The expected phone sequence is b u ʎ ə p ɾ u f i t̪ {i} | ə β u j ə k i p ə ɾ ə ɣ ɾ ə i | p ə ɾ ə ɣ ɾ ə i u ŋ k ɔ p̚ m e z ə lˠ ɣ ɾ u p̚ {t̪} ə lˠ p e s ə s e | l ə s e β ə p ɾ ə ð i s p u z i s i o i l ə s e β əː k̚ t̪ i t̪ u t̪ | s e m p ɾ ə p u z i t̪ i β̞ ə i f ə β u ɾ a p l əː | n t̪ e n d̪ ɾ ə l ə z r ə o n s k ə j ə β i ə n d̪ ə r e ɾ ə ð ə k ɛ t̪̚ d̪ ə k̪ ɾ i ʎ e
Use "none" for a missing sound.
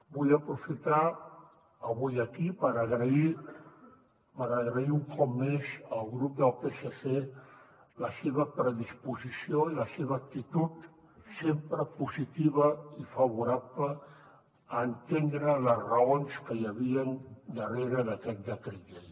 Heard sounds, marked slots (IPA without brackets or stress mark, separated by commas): a, d̪